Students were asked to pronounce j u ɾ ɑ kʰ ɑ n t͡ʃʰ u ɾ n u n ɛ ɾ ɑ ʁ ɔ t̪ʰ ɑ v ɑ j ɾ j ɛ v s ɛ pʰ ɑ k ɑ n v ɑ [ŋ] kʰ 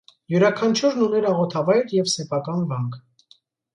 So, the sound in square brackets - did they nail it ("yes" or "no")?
yes